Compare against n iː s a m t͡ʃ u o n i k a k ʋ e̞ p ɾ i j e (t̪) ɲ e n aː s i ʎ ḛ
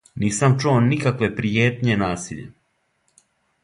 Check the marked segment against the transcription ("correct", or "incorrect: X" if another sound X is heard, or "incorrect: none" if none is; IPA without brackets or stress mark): correct